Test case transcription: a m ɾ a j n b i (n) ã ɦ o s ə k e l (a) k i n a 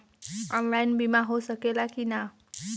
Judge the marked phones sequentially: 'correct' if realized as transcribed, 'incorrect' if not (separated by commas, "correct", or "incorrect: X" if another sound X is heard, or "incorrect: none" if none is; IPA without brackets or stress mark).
incorrect: m, correct